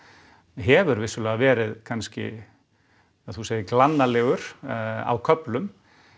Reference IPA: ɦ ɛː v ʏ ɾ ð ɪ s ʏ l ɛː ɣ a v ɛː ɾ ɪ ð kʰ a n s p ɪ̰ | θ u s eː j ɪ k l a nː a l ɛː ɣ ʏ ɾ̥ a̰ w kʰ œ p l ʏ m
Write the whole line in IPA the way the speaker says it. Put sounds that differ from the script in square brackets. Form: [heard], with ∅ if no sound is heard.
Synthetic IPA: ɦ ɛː v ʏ ɾ [v] ɪ s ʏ l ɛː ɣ a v ɛː ɾ ɪ ð kʰ a n s [c] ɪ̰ | θ u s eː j ɪ k l a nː a l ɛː ɣ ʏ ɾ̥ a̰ w kʰ œ p l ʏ m